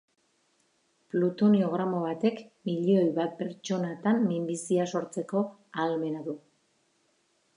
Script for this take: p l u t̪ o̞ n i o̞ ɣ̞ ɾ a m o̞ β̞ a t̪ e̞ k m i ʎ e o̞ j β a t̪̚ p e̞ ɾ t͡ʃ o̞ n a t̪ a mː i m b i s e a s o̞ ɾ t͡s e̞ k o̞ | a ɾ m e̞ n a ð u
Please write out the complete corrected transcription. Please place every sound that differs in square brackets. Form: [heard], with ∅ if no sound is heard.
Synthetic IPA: p l u t̪ o̞ n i o̞ ɣ̞ ɾ a m o̞ β̞ a t̪ e̞ k m i ʎ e o̞ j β a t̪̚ p e̞ ɾ t͡ʃ o̞ n a t̪ a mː i m b i s [i] a s o̞ ɾ t͡s e̞ k o̞ | a [l] m e̞ n a ð u